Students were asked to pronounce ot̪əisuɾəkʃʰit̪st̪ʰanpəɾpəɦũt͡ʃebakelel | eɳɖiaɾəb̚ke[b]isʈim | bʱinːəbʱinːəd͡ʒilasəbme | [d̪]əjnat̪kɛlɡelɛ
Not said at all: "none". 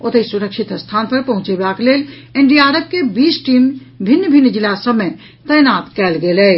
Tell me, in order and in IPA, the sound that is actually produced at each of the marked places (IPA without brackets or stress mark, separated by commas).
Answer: b, t̪